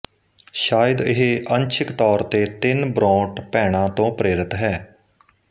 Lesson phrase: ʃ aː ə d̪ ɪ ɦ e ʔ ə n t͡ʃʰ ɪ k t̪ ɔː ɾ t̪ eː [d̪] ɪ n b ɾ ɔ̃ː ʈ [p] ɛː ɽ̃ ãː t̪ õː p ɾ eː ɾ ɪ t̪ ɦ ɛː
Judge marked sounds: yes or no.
no, yes

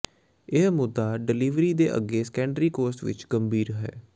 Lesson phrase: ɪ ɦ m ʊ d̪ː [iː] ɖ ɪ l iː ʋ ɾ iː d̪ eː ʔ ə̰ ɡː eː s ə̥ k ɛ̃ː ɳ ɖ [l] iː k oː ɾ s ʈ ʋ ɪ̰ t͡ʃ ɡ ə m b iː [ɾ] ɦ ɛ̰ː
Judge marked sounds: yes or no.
no, no, yes

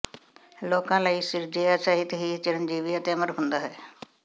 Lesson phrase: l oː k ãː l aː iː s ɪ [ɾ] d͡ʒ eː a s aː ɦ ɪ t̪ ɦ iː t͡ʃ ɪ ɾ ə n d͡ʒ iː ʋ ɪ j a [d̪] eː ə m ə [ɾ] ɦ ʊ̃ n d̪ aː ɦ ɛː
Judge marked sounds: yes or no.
yes, no, yes

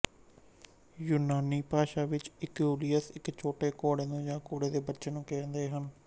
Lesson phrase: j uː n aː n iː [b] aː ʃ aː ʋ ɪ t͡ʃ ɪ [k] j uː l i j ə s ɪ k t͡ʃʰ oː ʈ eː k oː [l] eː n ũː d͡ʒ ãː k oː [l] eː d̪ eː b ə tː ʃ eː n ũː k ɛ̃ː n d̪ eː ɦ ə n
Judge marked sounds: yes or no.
no, yes, no, no

